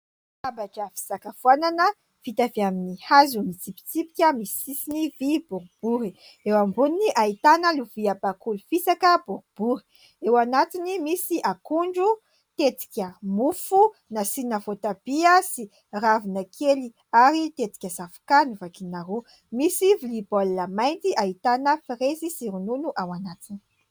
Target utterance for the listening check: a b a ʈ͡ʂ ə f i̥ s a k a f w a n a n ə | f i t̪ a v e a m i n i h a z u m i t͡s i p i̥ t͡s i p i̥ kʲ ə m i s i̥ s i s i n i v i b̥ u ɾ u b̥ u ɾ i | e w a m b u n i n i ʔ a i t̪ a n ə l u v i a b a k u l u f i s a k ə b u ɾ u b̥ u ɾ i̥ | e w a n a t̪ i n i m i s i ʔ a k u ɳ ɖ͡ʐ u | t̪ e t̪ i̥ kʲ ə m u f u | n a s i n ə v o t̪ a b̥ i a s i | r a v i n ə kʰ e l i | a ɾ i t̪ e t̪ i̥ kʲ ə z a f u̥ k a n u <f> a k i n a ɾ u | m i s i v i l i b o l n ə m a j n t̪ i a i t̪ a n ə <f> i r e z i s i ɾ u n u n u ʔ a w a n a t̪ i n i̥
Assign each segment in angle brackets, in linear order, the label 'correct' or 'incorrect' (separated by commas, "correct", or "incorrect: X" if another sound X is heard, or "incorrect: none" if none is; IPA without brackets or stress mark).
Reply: incorrect: v, correct